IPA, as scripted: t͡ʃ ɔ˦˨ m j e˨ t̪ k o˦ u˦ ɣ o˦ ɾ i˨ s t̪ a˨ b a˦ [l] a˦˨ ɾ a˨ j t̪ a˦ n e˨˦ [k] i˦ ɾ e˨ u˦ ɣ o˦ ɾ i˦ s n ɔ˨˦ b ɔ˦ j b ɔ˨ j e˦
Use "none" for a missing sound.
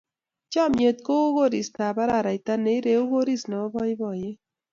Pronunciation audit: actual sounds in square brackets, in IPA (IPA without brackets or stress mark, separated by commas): ɾ, none